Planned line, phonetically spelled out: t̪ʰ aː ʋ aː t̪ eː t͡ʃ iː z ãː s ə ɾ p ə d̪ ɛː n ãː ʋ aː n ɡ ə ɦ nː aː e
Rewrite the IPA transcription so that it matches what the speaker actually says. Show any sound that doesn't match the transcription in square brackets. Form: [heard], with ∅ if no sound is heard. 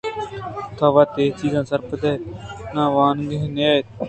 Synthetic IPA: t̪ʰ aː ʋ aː t̪ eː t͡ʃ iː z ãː s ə ɾ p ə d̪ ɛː n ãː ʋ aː n ɡ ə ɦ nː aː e